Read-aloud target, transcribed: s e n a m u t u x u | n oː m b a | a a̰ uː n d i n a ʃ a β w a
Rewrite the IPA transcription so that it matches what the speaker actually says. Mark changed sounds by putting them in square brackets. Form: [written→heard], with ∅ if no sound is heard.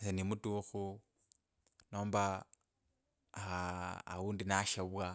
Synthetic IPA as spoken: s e n [a→i] m u t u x u | n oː m b a | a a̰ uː n d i n a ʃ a β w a

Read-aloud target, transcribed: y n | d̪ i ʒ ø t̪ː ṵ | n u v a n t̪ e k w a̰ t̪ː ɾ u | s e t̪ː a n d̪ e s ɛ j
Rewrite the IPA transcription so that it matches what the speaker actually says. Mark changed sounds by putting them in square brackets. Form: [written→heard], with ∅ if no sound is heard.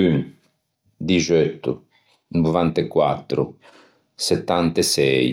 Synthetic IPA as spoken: y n | d̪ i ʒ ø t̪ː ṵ | n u v a n t̪ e k w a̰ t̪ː ɾ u | s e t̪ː a n [d̪→t̪] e s ɛ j

